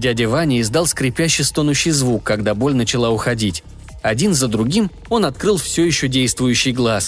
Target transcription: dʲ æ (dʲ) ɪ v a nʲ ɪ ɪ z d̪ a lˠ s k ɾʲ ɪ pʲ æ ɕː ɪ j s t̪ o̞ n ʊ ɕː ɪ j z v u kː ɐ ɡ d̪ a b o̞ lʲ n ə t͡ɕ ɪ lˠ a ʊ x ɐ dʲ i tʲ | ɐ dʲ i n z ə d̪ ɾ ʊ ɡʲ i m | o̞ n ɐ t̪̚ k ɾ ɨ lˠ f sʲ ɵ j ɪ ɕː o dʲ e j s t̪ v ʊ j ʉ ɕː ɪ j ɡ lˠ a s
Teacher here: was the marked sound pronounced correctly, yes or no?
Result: yes